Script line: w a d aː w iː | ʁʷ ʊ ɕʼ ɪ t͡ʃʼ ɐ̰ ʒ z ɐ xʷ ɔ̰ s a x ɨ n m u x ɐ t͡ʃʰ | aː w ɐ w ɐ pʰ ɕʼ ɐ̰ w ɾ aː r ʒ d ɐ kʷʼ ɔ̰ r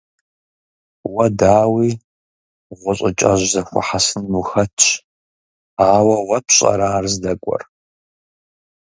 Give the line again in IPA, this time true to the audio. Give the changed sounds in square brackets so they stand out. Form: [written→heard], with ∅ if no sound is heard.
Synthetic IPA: w [a→ɐ] d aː w iː | ʁʷ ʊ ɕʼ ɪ t͡ʃʼ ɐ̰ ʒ z ɐ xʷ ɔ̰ [s→ħ] a [x→s] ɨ n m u x ɐ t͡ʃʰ | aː w ɐ w ɐ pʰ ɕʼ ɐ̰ [w→∅] ɾ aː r [ʒ→z] d ɐ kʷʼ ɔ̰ r